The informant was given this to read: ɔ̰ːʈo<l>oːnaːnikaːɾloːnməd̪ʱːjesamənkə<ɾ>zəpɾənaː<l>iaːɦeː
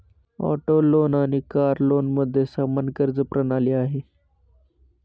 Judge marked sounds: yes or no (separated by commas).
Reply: yes, yes, yes